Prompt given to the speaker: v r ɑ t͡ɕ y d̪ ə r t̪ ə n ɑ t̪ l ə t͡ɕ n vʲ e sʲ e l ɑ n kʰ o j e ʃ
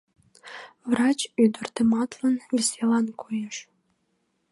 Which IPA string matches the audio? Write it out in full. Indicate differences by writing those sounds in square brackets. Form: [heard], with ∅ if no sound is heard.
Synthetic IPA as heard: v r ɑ t͡ɕ y d̪ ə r t̪ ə [m] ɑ t̪ l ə [∅] n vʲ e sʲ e l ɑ n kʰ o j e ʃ